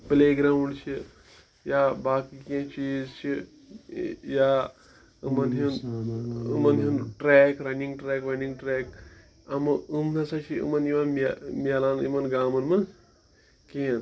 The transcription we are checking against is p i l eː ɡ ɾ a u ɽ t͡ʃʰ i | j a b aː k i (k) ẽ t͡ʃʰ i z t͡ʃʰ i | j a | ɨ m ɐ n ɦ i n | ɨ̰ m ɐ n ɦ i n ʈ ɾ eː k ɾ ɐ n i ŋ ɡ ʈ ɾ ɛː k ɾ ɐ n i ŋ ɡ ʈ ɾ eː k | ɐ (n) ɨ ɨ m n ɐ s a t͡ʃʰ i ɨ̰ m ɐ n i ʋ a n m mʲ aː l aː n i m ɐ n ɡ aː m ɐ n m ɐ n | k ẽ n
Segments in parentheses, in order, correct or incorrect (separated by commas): correct, incorrect